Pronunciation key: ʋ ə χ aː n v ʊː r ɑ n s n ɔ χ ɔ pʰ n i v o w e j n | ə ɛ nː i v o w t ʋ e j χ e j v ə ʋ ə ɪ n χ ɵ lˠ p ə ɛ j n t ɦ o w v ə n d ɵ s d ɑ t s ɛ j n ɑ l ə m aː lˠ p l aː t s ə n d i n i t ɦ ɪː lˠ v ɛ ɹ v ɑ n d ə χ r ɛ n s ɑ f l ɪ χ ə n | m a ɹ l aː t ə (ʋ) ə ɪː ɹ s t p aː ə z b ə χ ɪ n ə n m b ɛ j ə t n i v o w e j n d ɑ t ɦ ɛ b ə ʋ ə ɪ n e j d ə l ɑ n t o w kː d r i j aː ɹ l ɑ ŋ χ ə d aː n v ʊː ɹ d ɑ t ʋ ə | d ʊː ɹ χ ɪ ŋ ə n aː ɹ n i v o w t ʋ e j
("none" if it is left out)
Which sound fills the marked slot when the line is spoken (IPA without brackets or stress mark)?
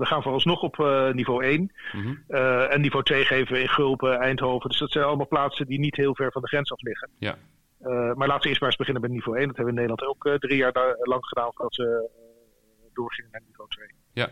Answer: ʋ